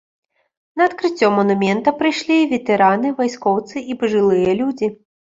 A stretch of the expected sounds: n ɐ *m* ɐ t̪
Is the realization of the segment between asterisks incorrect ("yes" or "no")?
yes